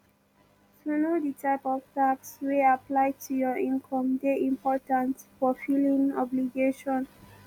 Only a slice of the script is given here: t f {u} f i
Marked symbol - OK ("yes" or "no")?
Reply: no